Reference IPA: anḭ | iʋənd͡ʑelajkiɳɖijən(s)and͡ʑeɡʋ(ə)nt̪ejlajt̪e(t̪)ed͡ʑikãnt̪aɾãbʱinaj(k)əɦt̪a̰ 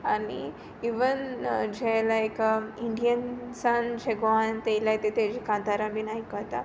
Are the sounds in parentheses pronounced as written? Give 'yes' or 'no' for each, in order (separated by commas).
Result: yes, no, yes, yes